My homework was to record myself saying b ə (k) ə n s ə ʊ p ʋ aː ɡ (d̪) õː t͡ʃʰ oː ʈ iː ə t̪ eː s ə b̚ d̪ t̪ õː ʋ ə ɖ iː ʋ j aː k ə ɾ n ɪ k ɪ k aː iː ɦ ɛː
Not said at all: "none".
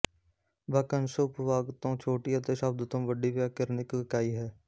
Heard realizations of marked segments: k, t̪

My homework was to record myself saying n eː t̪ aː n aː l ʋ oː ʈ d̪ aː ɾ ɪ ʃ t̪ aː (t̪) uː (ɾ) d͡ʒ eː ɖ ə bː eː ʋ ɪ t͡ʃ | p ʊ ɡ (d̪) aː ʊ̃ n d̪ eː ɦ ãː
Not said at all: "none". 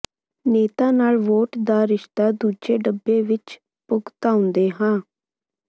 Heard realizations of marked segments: d̪, none, t̪

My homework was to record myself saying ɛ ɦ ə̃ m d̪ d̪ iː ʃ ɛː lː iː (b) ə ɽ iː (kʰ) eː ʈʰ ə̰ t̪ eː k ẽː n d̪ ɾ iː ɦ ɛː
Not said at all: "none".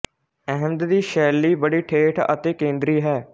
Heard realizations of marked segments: b, ʈʰ

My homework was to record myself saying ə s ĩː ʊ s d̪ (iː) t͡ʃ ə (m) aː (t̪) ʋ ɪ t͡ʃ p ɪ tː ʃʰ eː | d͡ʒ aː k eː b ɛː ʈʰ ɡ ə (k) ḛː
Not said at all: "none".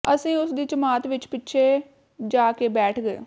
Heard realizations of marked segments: iː, m, t̪, none

